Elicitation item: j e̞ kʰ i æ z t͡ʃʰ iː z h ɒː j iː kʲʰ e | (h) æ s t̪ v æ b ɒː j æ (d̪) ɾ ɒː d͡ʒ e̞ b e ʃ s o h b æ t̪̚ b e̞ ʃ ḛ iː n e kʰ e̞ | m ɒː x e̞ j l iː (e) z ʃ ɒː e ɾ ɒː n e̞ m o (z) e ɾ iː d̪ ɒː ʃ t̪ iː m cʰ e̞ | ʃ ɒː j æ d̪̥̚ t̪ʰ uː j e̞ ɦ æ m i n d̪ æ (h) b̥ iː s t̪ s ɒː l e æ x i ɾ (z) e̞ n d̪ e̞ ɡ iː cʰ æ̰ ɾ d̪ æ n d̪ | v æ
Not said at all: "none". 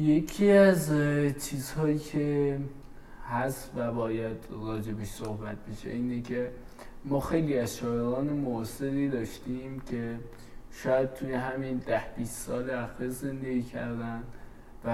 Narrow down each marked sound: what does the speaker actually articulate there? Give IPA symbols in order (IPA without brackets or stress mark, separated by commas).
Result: h, d̪, æ, s, h, z